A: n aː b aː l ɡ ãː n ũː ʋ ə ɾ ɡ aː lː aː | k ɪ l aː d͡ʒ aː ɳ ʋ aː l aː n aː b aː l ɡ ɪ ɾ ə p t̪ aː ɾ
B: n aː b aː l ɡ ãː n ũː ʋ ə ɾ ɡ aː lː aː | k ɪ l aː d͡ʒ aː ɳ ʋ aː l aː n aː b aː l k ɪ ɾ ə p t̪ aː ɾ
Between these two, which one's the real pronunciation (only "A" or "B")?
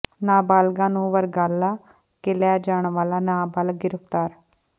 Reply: A